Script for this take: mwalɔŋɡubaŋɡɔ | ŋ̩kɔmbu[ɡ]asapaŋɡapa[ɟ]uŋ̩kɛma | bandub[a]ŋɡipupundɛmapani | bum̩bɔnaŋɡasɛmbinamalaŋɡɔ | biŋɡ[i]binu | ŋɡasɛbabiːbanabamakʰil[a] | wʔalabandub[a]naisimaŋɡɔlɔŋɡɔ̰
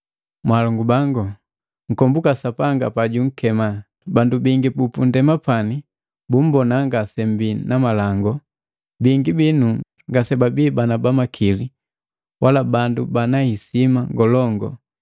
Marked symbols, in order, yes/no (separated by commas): no, yes, no, yes, no, yes